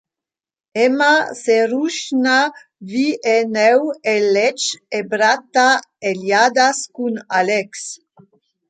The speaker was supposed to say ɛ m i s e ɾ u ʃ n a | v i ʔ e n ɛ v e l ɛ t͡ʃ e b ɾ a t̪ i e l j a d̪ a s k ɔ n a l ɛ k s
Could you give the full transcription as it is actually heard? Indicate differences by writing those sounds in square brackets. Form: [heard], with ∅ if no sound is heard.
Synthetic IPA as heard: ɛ m [a] s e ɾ u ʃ n a | v i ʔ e n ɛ [w] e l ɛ t͡ʃ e b ɾ a t̪ [a] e l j a d̪ a s k [u] n a l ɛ k s